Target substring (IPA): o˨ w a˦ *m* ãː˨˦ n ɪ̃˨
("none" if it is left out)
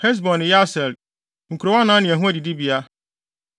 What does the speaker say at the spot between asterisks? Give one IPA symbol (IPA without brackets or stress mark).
n